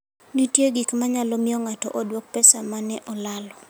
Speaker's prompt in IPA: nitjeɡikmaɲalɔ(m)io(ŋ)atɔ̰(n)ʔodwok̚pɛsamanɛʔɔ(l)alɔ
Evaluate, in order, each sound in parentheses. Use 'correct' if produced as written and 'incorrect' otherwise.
correct, correct, incorrect: none, correct

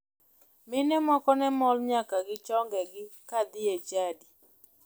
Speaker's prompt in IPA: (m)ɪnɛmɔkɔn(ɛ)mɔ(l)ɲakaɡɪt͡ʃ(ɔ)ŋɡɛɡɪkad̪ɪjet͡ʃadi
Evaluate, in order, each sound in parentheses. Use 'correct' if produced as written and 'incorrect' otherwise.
correct, correct, correct, correct

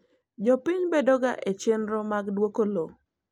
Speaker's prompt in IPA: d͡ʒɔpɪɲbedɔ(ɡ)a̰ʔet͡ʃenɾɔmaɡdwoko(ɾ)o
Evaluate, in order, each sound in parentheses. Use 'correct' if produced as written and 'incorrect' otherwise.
correct, incorrect: l

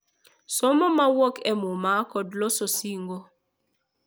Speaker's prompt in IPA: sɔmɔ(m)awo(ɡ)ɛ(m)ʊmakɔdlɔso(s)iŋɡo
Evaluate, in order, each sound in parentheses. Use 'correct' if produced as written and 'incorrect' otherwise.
correct, incorrect: k, correct, correct

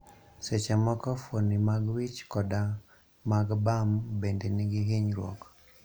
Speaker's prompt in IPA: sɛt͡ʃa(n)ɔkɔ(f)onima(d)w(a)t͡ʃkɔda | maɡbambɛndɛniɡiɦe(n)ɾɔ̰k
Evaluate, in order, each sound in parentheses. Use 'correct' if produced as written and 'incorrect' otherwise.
incorrect: m, correct, incorrect: ɡ, incorrect: i, incorrect: ɲ

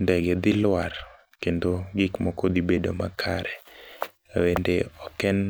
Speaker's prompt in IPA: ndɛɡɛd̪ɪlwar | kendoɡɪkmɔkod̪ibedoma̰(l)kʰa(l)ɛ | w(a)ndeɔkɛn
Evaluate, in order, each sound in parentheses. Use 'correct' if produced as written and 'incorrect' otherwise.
incorrect: none, incorrect: ɾ, incorrect: e

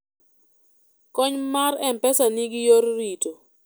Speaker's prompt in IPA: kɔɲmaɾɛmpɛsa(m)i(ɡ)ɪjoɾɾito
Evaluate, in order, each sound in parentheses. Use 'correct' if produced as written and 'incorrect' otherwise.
incorrect: n, correct

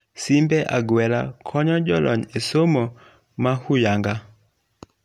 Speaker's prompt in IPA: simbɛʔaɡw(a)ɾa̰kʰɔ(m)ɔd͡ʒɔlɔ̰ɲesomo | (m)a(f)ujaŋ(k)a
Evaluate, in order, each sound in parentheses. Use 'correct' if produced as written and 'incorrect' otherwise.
incorrect: ɛ, incorrect: ɲ, correct, incorrect: h, incorrect: ɡ

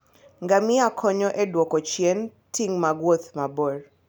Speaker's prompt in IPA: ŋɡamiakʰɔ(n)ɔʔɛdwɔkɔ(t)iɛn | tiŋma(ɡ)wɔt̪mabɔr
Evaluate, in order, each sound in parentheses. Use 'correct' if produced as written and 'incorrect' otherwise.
incorrect: ɲ, incorrect: t͡ʃ, correct

